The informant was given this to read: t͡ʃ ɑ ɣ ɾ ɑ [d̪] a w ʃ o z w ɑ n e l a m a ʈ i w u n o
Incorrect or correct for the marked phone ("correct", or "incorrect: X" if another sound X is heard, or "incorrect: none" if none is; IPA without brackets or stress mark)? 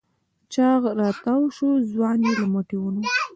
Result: incorrect: t̪